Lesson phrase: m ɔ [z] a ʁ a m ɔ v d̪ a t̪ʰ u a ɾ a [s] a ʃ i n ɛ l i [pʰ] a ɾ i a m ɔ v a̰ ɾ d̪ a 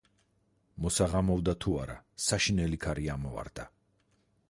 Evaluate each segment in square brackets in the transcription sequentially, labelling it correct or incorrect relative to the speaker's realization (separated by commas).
incorrect, correct, incorrect